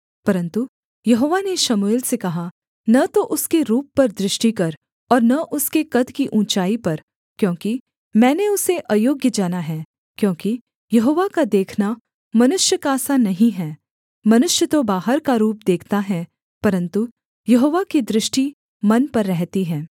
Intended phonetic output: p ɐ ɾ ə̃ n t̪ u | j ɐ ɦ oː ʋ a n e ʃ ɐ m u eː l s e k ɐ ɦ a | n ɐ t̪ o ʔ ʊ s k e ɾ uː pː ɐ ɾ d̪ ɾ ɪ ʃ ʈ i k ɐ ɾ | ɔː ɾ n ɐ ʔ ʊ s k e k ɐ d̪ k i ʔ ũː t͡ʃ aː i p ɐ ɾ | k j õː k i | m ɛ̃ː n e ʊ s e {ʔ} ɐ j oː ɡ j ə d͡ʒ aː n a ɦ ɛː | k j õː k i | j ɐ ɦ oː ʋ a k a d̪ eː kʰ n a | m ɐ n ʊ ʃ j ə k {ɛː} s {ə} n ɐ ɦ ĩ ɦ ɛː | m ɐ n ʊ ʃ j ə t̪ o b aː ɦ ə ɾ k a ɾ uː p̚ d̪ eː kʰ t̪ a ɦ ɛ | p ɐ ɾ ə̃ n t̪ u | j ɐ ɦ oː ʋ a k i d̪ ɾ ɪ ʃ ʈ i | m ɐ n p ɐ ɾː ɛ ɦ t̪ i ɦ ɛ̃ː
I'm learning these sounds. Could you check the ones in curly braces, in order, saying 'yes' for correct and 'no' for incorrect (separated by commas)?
yes, no, no